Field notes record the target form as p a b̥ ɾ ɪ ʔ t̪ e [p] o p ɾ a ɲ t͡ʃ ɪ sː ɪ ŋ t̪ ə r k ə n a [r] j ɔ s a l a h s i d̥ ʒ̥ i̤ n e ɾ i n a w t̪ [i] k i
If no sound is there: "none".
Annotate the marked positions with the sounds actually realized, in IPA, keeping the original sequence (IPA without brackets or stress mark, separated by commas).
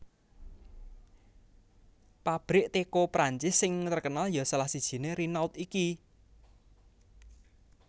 k, l, i